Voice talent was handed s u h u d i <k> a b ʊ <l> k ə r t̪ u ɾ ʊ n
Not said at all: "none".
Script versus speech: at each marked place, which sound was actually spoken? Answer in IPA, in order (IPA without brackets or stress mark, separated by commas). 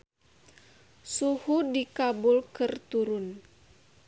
k, l